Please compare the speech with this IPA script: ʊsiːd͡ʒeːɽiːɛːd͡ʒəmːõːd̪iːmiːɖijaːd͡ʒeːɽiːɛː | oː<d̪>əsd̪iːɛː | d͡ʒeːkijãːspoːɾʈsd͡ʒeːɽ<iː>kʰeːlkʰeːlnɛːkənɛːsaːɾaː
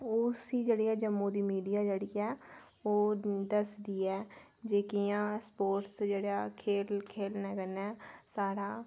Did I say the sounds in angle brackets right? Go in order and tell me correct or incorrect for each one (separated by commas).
correct, incorrect